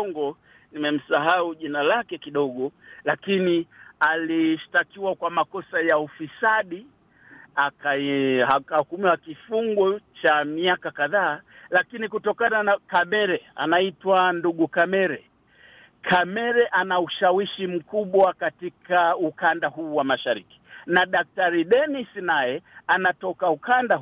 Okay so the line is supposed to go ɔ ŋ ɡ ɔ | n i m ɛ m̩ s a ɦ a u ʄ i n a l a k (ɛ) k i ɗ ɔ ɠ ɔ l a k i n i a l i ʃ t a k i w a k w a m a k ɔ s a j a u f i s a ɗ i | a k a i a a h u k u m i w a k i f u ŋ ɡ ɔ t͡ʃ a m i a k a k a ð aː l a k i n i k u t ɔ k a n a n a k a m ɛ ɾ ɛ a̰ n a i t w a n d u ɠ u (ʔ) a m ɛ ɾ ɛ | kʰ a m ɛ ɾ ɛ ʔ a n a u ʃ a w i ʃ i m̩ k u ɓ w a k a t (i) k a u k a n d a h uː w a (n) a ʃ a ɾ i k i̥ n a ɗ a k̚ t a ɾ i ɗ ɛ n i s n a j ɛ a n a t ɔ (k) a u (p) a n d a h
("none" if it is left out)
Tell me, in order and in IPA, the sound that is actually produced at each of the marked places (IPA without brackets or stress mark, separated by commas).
ɛ, k, i, m, k, k